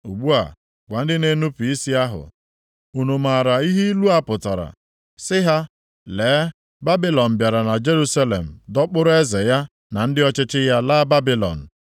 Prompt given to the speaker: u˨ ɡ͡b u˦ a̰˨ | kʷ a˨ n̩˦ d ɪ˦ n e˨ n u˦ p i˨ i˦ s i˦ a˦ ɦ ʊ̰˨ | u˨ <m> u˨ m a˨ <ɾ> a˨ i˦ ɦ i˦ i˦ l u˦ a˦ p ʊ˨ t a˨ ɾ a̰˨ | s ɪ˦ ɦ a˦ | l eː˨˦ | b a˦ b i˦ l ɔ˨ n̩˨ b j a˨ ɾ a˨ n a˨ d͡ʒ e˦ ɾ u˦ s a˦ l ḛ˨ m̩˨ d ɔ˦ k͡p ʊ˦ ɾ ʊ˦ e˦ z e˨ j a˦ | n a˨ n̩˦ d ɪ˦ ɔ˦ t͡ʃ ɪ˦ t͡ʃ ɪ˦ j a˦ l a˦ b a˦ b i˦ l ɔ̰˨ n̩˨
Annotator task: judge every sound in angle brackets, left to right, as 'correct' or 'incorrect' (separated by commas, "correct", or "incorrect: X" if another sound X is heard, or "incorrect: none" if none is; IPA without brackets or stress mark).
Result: incorrect: n, correct